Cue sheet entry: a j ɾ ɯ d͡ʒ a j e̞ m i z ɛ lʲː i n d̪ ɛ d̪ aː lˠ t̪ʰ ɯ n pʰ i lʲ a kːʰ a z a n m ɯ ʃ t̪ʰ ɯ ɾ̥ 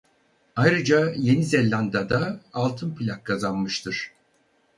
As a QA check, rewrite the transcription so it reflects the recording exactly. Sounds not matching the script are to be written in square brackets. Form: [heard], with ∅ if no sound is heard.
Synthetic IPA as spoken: a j ɾ ɯ d͡ʒ a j e̞ [n] i z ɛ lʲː [a] n d̪ [a] d̪ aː lˠ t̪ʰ ɯ n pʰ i lʲ a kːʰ a z a n m ɯ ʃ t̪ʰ ɯ ɾ̥